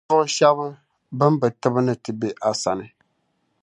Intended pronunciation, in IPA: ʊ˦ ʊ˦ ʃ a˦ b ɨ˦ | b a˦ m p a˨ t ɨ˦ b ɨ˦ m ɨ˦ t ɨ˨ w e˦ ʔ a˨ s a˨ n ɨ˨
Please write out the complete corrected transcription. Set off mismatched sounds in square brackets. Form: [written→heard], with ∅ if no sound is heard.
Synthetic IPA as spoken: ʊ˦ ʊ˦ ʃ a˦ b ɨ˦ | b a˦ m [p→b] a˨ t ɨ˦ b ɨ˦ [m→n] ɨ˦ t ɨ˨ [w→b] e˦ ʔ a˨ s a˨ n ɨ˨